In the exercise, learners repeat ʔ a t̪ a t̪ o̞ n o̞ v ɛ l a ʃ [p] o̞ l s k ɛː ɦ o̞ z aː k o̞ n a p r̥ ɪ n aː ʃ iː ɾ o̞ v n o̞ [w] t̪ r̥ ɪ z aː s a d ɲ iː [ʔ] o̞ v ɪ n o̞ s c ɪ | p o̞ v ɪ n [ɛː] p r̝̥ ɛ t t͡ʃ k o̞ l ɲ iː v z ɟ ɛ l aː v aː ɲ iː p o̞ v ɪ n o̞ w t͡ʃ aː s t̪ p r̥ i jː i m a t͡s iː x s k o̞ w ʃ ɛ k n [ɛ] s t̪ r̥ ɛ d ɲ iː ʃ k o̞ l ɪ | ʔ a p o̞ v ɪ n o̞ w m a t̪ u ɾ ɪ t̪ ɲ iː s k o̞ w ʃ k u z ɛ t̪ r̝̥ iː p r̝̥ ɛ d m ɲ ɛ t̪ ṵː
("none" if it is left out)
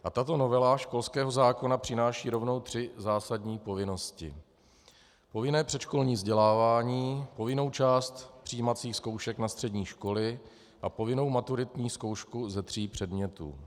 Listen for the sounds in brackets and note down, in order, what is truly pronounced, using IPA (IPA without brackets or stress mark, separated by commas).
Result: k, w, p, ɛː, a